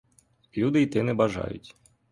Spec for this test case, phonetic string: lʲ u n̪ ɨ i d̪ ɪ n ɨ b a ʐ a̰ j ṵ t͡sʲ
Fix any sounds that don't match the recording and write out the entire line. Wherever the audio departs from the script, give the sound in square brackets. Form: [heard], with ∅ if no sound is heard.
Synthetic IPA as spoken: lʲ u [d̪] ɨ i [t̪] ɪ n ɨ b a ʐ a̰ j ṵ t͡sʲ